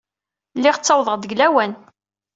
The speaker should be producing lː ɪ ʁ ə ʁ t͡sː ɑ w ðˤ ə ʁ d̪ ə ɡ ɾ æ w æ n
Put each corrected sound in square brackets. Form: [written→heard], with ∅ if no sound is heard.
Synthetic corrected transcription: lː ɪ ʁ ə [ʁ→∅] t͡sː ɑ w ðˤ ə ʁ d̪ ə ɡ [ɾ→l] æ w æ n